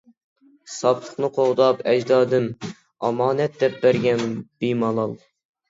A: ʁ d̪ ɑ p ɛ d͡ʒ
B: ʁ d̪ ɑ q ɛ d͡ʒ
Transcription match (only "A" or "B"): A